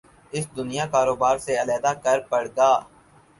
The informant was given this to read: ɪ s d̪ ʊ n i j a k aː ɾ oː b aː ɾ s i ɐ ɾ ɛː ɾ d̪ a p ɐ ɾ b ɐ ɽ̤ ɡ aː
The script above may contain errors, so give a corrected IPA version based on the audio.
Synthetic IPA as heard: ɪ s d̪ ʊ n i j a k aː ɾ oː b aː ɾ s e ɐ l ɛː d̪ a k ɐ ɾ p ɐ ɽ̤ ɡ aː